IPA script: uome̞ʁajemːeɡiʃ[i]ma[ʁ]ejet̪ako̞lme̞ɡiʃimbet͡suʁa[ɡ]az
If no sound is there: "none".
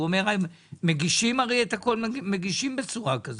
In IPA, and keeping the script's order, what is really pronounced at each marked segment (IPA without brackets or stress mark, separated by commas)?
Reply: i, ʁ, k